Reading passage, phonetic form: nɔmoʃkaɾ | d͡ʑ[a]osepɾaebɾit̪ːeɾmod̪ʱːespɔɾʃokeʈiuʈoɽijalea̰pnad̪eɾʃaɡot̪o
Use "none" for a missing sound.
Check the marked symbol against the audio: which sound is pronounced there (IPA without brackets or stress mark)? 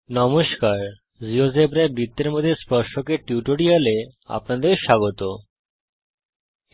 i